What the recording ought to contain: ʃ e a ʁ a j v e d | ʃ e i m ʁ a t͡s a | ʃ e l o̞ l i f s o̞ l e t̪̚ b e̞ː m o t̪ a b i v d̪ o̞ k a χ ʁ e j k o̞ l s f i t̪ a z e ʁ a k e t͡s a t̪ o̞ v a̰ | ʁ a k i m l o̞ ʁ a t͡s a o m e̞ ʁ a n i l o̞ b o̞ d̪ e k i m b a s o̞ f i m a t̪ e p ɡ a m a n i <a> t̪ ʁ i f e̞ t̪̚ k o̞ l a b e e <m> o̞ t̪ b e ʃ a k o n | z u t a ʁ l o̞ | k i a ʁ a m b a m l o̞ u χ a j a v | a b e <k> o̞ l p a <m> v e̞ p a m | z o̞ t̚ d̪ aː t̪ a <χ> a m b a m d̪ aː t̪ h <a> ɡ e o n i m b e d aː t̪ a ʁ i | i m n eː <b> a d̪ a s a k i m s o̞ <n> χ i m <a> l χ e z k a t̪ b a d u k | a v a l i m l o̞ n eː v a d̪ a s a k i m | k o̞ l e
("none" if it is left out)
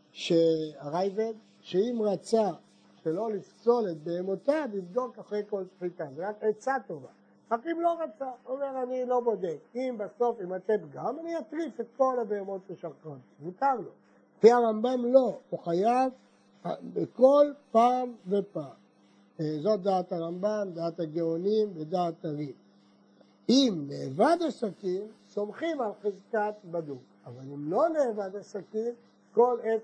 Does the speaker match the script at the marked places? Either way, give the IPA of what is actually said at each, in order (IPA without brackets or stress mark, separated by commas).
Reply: a, m, k, m, ʁ, a, v, m, a